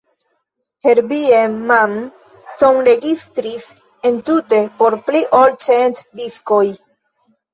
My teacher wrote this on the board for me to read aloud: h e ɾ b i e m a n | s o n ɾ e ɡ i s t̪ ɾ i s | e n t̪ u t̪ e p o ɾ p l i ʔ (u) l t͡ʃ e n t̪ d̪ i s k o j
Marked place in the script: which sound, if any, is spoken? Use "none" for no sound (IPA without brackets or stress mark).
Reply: o